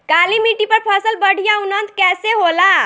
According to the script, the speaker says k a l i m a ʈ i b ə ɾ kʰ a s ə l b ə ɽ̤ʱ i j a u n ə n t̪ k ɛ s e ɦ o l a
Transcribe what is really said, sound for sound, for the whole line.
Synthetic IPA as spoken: k a l i m i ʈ i p ə ɾ pʰ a s ə l b ə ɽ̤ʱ i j a u n ə n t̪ k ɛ s e ɦ o l a